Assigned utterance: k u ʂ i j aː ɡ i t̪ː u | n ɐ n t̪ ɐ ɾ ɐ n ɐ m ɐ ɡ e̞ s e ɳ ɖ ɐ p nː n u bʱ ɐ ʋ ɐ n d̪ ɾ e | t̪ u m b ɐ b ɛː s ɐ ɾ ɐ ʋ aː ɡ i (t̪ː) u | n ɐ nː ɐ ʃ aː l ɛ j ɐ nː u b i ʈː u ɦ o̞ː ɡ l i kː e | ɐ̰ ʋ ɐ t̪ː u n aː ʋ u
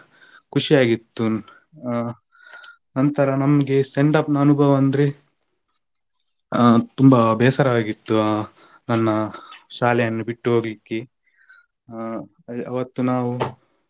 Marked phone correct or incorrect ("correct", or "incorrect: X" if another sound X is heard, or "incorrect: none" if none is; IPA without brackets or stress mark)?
correct